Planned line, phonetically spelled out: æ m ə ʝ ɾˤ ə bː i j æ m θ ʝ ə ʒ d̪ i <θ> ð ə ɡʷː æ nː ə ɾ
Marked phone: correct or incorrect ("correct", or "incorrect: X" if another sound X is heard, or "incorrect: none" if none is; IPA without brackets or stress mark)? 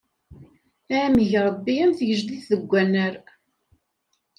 correct